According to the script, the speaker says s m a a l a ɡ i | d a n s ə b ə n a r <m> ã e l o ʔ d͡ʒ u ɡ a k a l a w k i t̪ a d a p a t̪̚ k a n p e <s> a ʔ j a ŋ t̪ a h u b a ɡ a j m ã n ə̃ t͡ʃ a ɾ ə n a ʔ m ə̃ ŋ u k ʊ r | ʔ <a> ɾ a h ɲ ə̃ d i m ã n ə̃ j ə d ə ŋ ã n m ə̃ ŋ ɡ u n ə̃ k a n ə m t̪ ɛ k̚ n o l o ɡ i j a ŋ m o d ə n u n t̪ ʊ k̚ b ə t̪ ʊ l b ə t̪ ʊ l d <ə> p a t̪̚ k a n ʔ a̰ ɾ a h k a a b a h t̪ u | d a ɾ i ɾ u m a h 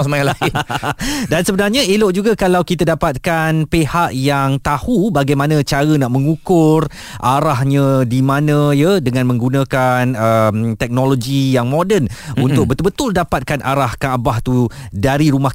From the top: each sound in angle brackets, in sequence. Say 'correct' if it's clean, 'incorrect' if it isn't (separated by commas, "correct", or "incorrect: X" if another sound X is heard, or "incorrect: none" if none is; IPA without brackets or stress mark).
incorrect: ɲ, incorrect: h, correct, incorrect: a